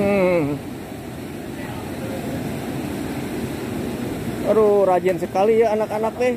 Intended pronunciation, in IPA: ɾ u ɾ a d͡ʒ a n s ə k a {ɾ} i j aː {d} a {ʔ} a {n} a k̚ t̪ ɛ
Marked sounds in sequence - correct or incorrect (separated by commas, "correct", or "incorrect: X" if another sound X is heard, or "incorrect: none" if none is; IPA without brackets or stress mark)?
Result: incorrect: l, incorrect: n, incorrect: k, correct